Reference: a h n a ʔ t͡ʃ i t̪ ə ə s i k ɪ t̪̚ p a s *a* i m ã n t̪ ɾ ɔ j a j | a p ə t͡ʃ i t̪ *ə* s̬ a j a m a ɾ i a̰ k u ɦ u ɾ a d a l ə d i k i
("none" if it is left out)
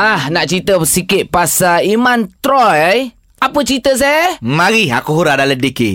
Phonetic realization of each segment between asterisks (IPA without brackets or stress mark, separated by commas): a, ə